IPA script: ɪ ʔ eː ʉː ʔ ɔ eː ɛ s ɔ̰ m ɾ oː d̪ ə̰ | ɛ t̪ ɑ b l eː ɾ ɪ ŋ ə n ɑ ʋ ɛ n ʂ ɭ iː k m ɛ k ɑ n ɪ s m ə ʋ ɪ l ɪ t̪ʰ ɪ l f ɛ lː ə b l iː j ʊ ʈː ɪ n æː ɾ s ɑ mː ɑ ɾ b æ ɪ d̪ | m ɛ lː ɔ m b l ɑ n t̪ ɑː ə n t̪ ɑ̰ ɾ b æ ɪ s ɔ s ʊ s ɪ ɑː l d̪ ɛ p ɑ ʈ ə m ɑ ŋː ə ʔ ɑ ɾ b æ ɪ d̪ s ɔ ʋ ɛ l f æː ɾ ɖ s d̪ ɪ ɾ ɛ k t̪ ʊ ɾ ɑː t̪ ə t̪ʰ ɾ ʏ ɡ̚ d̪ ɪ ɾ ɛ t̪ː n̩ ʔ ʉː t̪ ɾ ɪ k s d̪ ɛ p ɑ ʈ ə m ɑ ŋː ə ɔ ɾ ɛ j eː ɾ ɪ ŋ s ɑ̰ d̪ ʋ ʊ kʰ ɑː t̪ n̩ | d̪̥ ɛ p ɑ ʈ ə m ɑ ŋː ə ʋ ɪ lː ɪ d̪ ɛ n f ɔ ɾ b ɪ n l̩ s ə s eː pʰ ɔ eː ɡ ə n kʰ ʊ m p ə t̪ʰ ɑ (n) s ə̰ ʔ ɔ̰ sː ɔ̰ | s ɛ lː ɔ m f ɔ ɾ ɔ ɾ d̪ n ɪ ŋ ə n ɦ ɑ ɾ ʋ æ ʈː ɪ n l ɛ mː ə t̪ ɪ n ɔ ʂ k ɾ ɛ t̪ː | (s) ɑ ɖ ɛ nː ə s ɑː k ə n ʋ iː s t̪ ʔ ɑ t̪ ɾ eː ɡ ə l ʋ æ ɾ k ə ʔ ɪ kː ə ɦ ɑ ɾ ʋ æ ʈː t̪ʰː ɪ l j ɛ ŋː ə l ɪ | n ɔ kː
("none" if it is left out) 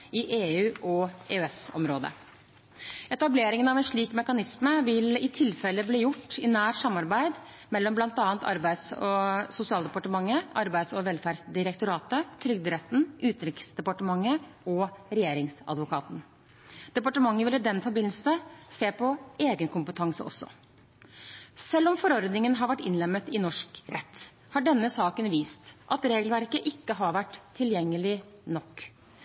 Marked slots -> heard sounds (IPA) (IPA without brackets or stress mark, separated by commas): ŋ, h